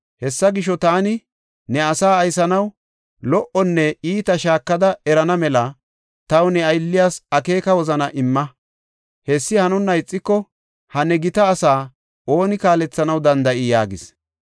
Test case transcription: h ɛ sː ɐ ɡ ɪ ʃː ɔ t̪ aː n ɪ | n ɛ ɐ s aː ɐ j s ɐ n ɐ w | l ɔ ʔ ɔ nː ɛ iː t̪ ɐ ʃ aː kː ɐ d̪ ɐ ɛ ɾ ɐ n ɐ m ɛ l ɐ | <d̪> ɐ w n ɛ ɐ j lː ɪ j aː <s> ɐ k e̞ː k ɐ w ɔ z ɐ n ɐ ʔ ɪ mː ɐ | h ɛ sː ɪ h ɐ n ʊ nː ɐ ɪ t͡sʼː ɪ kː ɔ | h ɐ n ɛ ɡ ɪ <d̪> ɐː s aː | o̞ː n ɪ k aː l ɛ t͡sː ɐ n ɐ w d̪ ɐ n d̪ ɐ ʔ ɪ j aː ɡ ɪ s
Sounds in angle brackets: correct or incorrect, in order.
incorrect, correct, incorrect

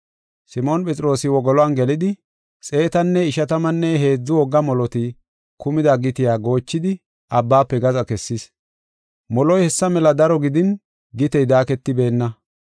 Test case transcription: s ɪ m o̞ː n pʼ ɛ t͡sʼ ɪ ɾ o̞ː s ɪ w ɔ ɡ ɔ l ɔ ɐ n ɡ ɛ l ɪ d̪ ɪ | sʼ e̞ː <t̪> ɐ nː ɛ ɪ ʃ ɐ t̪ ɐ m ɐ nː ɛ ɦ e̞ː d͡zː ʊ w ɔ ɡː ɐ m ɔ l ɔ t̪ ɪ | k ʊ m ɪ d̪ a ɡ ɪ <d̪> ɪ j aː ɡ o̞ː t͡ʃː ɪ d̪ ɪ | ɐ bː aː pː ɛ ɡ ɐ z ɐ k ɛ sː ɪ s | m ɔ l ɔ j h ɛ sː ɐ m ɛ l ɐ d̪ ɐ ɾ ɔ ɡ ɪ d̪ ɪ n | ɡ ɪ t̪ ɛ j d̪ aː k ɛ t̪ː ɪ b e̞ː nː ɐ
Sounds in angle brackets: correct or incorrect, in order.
correct, incorrect

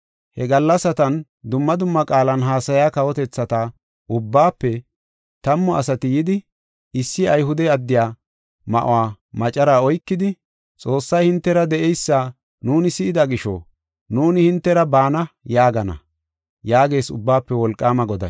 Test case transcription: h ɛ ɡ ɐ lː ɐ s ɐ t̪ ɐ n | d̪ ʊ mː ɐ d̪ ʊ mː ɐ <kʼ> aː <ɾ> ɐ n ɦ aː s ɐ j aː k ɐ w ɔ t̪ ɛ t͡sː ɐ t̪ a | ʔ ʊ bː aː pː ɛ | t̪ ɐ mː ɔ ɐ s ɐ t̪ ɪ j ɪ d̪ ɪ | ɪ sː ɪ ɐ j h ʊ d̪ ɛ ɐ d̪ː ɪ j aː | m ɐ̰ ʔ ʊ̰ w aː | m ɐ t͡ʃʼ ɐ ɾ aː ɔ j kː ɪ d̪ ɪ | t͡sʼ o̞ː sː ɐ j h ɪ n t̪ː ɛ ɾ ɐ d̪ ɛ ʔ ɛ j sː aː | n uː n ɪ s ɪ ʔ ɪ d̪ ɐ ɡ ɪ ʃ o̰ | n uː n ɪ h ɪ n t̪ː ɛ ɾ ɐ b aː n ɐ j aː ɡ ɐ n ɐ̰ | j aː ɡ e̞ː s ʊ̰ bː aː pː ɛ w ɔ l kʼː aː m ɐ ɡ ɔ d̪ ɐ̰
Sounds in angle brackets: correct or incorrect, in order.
correct, incorrect

